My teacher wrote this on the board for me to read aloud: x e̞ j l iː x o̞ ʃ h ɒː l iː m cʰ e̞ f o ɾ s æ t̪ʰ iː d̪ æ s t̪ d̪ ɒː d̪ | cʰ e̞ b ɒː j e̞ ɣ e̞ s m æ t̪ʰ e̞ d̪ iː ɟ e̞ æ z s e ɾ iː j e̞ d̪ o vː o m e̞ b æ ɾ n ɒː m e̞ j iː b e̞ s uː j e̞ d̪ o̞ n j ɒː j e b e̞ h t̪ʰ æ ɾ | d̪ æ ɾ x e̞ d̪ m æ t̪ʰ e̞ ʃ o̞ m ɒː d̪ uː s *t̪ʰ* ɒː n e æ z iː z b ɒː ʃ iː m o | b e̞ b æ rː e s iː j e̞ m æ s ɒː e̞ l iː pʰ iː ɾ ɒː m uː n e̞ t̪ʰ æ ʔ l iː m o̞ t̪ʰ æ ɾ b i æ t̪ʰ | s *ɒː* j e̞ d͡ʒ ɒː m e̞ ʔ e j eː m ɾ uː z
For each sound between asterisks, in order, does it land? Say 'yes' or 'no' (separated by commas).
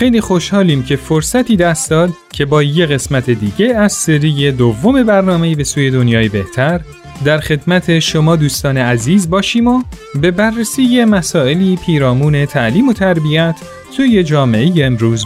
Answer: no, no